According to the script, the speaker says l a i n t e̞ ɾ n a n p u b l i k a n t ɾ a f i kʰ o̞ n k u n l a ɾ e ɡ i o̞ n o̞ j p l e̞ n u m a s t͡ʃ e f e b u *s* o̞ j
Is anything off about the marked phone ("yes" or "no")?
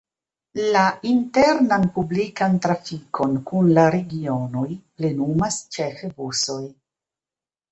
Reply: no